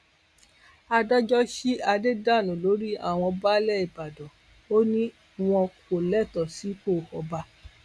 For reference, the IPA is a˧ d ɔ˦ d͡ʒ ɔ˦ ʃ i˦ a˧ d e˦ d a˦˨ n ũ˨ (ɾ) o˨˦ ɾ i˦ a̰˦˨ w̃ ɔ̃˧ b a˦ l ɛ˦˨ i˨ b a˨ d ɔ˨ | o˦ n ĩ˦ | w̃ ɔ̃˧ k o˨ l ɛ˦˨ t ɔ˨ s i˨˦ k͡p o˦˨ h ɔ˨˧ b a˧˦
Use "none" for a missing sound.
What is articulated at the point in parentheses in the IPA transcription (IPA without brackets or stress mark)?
l